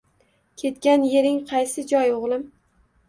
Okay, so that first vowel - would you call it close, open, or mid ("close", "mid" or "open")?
mid